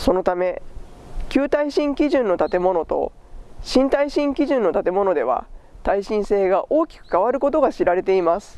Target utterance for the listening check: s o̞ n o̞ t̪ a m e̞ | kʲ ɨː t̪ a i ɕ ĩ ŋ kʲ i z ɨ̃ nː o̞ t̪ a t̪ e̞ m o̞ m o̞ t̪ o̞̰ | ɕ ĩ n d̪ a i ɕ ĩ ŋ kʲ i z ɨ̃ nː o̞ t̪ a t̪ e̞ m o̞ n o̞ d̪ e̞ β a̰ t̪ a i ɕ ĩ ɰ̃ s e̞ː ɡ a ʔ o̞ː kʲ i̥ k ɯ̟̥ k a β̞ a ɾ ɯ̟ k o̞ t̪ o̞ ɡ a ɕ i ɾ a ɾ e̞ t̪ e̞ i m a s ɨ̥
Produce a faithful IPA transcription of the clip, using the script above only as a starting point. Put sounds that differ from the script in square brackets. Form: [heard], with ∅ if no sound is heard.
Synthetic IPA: s o̞ n o̞ t̪ a m e̞ | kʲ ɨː t̪ a i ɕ ĩ ŋ kʲ i [ʑ] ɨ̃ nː o̞ t̪ a t̪ e̞ m o̞ [n] o̞ t̪ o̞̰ | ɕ ĩ n [t̪] a i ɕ ĩ ŋ kʲ i [ʑ] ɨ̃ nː o̞ t̪ a t̪ e̞ m o̞ n o̞ d̪ e̞ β a̰ t̪ a i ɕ ĩ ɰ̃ s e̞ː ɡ a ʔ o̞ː kʲ i̥ k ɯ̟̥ k a β̞ a ɾ ɯ̟ k o̞ t̪ o̞ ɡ a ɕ i ɾ a ɾ e̞ t̪ e̞ i m a s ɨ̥